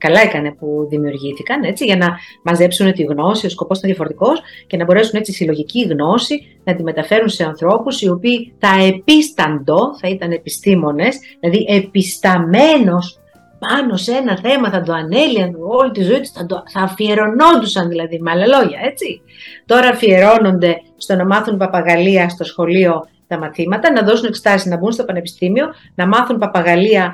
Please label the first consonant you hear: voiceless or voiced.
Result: voiceless